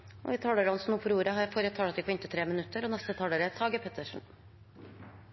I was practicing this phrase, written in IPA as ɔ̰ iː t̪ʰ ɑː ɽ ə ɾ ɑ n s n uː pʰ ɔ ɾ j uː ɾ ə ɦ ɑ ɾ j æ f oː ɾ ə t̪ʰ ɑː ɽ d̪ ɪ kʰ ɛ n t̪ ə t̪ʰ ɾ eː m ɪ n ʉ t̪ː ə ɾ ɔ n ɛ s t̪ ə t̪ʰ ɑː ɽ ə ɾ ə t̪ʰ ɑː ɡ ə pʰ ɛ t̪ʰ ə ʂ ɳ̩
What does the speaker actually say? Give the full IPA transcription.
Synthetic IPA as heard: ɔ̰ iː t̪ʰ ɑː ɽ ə ɾ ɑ n s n uː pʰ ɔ ɾ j uː ɾ ə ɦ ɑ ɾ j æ f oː ɾ ə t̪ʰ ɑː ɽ t̪ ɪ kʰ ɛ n t̪ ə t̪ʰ ɾ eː m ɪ n ʉ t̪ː ə ɾ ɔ n ɛ s t̪ ə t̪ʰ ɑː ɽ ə ɾ ə t̪ʰ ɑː ɡ ə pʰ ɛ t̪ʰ ə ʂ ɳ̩